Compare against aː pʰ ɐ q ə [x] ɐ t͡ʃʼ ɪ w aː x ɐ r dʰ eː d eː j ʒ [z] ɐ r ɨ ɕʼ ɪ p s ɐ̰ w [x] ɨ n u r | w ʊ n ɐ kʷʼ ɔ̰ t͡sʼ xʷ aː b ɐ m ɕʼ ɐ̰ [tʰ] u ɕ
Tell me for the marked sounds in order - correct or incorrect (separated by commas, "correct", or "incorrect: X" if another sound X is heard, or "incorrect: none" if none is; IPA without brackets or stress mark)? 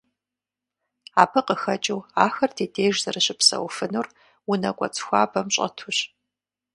correct, correct, incorrect: f, correct